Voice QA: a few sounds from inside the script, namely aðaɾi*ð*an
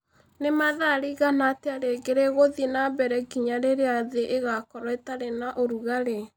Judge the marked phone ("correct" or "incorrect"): incorrect